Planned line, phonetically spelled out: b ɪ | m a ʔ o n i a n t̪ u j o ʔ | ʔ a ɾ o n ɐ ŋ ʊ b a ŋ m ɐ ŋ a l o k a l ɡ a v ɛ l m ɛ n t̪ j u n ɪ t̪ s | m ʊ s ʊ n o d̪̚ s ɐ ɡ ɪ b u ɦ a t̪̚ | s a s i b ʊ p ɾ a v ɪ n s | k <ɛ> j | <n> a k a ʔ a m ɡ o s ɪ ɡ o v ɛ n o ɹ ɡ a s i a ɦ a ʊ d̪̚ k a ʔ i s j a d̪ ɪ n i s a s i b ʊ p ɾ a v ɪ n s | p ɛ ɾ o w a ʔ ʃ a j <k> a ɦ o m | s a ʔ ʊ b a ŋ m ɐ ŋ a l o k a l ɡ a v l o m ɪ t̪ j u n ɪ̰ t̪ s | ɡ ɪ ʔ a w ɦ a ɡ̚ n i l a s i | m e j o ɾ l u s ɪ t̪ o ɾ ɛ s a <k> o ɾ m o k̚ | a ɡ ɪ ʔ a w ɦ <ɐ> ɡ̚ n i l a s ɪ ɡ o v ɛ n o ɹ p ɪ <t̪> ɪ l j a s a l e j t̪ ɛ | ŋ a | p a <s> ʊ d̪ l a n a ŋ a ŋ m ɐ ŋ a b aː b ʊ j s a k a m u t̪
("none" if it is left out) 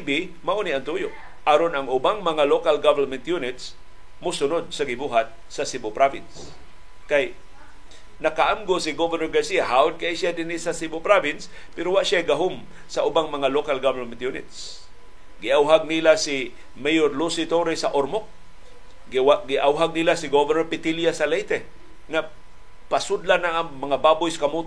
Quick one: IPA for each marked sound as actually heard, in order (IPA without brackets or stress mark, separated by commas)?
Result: a, n, ɡ, ʔ, a, t̪, s